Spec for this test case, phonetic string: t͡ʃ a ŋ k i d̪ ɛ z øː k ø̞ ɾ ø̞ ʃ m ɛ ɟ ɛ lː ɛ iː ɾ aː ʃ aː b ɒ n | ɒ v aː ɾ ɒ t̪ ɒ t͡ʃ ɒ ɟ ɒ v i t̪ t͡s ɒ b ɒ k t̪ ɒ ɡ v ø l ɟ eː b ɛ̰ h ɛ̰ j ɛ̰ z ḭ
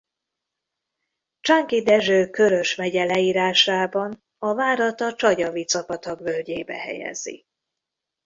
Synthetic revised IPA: t͡ʃ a ŋ k i d̪ ɛ ʒ øː k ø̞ ɾ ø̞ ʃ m ɛ ɟ ɛ l ɛ iː ɾ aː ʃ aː b ɒ n | ɒ v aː ɾ ɒ t̪ ɒ t͡ʃ ɒ ɟ ɒ v i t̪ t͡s ɒ p ɒ t̪ ɒ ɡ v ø l ɟ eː b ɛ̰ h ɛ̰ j ɛ̰ z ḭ